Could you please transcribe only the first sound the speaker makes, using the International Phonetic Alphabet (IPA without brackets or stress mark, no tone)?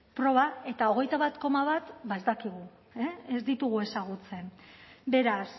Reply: p